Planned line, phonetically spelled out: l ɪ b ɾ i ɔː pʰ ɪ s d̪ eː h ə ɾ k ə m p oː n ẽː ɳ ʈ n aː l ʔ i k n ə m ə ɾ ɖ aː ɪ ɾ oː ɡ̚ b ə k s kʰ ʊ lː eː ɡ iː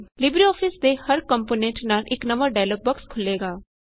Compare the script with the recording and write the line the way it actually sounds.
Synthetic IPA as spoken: l ɪ b ɾ i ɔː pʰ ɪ s d̪ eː h ə ɾ k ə m p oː n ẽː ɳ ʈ n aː l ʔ ɪ k n ə m ə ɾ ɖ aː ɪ l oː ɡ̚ b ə k s kʰ ʊ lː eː ɡ aː